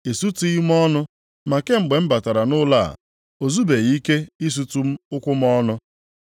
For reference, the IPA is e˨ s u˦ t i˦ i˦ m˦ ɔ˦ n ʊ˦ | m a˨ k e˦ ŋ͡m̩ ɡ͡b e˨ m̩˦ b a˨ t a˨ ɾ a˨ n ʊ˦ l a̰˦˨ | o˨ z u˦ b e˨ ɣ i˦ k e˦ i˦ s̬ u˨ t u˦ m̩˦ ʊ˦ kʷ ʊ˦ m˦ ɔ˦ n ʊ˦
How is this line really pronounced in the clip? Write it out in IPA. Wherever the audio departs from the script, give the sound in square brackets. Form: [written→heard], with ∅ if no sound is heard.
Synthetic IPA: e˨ s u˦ t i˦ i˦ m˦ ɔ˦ n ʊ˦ | m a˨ k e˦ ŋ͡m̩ ɡ͡b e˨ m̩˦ b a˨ t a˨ ɾ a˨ n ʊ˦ l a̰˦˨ | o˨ z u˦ b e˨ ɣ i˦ k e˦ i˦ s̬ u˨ t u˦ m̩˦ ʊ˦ kʷ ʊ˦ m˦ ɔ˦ n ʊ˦

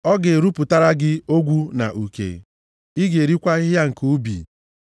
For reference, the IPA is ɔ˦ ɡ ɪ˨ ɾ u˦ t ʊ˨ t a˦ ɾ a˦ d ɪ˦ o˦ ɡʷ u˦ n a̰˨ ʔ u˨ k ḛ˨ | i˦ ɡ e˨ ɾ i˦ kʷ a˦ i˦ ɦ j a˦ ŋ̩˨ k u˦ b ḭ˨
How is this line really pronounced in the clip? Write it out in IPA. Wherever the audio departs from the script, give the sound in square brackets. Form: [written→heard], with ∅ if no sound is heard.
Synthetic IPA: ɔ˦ ɡ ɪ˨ ɾ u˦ [t→p] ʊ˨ t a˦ ɾ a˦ [d→ɡ] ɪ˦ o˦ ɡʷ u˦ n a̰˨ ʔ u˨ k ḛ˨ | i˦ ɡ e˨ ɾ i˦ kʷ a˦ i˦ ɦ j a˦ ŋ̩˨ k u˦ b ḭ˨

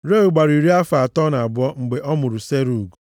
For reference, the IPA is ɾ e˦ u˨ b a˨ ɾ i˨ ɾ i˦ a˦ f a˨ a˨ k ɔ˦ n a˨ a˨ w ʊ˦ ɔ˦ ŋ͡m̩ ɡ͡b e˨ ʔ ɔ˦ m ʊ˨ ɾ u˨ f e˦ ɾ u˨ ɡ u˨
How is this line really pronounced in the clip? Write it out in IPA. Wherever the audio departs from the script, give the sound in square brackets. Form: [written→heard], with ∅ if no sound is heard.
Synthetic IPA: ɾ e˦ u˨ [b→ɡ͡b] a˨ ɾ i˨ ɾ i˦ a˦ f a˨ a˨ [k→t] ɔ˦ n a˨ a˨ [w→b] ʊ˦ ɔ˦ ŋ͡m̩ ɡ͡b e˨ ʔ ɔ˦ m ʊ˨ ɾ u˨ [f→s] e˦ ɾ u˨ ɡ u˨

